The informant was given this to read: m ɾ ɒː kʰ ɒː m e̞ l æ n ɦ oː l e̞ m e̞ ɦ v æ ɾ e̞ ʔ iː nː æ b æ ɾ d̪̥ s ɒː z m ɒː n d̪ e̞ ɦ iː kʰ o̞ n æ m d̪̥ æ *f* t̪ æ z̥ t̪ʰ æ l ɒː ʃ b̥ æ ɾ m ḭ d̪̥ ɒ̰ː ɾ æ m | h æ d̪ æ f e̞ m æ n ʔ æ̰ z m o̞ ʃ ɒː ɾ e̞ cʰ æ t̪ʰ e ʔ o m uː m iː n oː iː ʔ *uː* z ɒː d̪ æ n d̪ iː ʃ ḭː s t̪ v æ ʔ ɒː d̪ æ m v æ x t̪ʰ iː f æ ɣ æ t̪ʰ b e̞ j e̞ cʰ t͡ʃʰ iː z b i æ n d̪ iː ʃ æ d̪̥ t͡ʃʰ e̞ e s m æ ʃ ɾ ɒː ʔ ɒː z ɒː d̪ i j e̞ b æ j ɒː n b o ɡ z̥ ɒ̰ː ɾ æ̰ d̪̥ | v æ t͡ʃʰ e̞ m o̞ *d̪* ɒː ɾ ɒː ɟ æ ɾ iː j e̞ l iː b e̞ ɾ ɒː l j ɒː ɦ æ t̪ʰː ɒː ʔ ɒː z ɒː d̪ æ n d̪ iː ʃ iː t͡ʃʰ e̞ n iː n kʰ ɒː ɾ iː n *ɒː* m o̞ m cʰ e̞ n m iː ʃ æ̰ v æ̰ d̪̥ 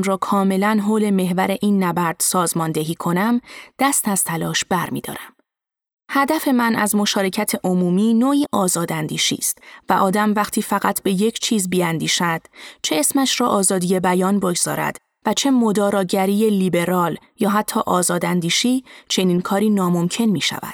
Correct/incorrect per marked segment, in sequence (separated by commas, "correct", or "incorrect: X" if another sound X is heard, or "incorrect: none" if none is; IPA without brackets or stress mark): incorrect: s, incorrect: ɒː, correct, correct